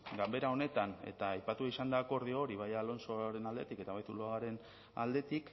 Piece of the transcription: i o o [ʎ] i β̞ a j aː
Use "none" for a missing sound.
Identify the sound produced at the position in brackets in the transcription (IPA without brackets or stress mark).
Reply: ɾ